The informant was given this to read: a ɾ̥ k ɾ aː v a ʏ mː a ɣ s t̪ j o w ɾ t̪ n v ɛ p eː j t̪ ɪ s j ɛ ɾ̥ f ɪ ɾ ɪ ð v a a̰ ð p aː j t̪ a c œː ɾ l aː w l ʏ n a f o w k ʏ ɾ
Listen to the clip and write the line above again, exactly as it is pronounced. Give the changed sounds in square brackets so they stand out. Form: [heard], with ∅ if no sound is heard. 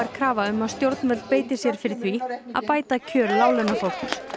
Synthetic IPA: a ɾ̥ [kʰ] ɾ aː v a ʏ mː a [ð] s t̪ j o w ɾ t̪ n v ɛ p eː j t̪ ɪ s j ɛ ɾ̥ f ɪ ɾ ɪ [θ] v [i] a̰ ð p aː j t̪ a [cʰ] œː ɾ l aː w l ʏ n a f o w k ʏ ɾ